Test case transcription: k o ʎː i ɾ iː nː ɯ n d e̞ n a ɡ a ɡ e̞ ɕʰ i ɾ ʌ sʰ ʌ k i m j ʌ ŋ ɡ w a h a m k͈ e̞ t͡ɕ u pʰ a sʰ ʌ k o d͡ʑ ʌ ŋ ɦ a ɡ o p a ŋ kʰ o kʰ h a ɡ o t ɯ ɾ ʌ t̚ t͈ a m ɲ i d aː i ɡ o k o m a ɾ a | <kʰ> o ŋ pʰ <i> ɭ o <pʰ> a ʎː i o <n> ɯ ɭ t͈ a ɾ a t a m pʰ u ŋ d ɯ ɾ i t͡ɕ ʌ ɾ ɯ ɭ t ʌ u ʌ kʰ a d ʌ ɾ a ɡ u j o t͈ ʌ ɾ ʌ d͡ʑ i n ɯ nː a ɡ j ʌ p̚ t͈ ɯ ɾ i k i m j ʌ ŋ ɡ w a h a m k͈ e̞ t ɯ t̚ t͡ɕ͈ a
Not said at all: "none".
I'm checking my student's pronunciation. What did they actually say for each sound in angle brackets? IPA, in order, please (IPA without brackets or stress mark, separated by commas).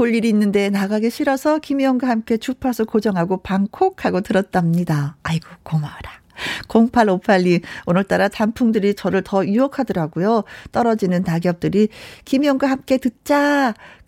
k, a, pʰ, n